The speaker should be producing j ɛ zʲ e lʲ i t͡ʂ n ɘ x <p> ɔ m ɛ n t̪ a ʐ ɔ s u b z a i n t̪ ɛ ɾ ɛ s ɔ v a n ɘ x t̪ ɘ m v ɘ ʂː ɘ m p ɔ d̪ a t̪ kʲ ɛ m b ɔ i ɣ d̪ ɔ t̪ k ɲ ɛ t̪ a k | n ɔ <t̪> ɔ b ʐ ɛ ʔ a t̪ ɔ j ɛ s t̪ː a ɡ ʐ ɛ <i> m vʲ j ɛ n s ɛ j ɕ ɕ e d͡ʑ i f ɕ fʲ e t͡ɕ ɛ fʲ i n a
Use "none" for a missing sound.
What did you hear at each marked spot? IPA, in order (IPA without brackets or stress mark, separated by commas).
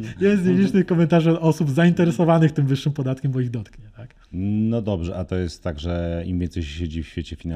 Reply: k, d̪, i